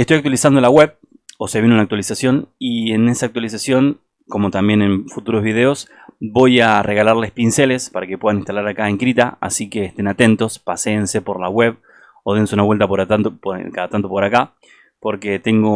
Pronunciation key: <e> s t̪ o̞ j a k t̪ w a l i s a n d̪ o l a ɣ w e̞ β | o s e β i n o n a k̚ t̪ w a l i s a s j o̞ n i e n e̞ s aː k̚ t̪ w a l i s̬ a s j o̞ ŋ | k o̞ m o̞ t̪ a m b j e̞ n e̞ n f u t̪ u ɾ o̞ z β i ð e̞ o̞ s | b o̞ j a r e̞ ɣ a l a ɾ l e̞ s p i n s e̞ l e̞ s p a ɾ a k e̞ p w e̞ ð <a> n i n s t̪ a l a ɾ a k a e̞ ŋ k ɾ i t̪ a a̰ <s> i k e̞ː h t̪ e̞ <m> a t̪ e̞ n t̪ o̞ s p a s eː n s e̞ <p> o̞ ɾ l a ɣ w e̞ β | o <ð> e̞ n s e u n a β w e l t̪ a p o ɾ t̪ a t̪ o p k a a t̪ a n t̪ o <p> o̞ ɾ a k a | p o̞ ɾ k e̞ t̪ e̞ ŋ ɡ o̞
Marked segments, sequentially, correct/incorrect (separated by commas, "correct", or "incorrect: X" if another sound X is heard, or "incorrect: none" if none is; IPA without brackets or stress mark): correct, correct, correct, incorrect: n, correct, correct, correct